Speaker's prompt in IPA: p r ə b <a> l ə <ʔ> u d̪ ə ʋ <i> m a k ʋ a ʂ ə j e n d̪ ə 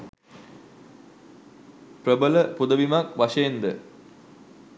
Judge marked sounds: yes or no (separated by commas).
no, no, yes